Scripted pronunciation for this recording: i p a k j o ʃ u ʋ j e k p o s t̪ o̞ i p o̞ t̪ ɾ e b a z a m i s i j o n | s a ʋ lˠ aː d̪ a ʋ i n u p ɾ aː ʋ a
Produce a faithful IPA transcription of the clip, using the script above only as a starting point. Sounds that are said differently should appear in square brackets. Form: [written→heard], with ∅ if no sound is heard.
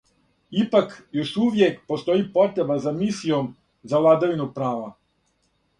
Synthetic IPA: i p a k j o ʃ u ʋ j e k p o s t̪ o̞ i p o̞ t̪ ɾ e b a z a m i s i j o [n→m] | [s→z] a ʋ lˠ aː d̪ a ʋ i n u p ɾ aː ʋ a